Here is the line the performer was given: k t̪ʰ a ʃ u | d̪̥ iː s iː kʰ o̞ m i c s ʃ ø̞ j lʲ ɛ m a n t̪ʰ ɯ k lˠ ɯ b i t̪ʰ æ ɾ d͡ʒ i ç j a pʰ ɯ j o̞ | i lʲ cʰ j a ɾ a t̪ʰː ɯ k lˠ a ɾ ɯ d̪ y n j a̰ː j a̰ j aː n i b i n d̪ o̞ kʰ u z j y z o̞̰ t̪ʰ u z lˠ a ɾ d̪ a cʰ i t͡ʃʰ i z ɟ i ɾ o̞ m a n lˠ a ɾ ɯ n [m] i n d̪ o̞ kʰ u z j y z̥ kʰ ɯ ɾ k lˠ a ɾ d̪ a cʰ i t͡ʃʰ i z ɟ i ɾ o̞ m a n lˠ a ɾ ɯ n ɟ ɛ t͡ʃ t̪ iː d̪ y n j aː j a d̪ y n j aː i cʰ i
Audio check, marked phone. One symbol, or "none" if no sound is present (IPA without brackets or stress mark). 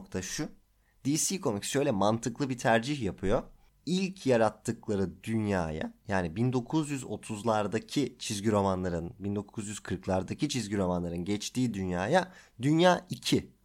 b